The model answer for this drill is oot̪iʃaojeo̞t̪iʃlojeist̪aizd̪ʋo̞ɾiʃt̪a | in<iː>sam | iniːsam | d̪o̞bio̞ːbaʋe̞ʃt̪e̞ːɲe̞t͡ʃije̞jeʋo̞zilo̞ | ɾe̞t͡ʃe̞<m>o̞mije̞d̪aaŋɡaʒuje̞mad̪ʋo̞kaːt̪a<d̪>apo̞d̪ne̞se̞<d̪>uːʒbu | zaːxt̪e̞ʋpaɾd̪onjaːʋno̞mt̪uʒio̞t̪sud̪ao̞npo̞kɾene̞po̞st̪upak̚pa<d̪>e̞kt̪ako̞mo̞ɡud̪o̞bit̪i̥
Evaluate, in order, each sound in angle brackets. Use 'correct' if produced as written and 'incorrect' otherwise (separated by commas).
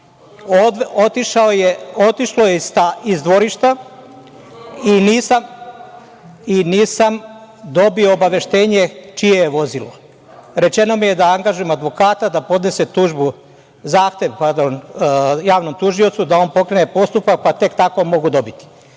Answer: correct, incorrect, correct, incorrect, incorrect